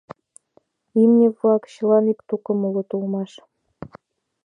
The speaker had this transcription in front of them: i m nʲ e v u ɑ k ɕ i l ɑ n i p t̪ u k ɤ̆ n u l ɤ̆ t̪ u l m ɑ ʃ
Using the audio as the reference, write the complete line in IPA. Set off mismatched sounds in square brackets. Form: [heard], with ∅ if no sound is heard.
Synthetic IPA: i m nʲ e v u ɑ k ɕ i l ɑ n i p t̪ u k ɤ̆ [m] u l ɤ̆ t̪ u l m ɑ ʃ